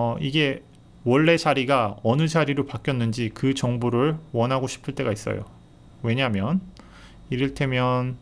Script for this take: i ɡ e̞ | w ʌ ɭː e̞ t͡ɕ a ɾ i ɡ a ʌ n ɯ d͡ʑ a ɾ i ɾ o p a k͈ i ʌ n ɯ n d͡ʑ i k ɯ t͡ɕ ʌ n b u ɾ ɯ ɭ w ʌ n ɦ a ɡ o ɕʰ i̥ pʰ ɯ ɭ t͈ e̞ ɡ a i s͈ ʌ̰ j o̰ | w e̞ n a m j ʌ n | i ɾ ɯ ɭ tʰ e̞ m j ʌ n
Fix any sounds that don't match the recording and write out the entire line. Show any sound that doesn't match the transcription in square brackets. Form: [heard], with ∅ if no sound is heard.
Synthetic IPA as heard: i ɡ e̞ | w ʌ ɭː e̞ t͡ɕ a ɾ i ɡ a ʌ n ɯ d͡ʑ a ɾ i ɾ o p a k͈ [j] ʌ [nː] ɯ n d͡ʑ i k ɯ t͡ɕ ʌ [ŋ] b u ɾ ɯ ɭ w ʌ n ɦ a ɡ o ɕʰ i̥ pʰ ɯ ɭ t͈ e̞ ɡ a i s͈ ʌ̰ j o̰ | w e̞ [ɲ] a m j ʌ n | i ɾ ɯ ɭ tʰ e̞ m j ʌ n